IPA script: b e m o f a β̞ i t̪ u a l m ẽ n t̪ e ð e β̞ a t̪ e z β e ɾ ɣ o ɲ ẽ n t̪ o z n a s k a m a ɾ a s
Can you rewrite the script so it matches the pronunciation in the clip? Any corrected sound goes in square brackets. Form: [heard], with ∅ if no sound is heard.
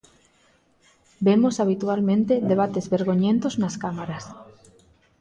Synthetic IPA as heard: b e m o [s] a β̞ i t̪ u a l m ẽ n t̪ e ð e β̞ a t̪ e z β e ɾ ɣ o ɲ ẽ n t̪ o z n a s k a m a ɾ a s